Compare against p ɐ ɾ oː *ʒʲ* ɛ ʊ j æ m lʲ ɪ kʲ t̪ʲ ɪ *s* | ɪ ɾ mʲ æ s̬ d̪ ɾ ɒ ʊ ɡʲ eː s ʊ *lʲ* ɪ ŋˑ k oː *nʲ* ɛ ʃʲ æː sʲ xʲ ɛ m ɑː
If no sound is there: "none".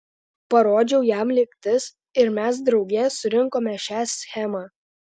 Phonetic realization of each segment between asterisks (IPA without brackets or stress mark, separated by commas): d͡ʒʲ, s, ɾʲ, mʲ